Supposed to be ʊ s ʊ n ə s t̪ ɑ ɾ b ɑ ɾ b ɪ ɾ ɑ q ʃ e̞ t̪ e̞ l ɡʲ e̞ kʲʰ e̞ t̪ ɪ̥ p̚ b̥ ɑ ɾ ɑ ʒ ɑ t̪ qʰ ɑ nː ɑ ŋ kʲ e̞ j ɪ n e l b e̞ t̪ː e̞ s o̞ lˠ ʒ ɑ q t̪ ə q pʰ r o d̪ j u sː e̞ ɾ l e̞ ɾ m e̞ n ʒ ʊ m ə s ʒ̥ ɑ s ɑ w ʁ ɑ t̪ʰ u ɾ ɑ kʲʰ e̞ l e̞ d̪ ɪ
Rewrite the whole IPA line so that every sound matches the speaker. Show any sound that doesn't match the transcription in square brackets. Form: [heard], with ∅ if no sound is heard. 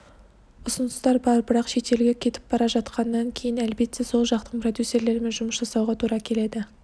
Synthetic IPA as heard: ʊ s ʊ n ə s t̪ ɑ ɾ b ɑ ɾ b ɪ ɾ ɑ q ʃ e̞ t̪ e̞ l ɡʲ e̞ kʲʰ e̞ t̪ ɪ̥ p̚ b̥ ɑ ɾ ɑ ʒ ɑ t̪ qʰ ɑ nː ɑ ŋ [kʲʰ] e̞ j ɪ n [æ] l b e̞ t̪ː e̞ s o̞ lˠ ʒ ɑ q t̪ ə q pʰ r o d̪ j u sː e̞ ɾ l e̞ ɾ m e̞ n ʒ ʊ m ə s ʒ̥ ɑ s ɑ w ʁ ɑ t̪ʰ u ɾ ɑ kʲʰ e̞ l e̞ d̪ ɪ